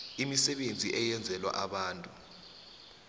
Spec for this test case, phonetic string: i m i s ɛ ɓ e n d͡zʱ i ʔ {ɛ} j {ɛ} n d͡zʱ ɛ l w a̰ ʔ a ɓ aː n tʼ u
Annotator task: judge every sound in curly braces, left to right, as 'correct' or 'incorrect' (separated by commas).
correct, correct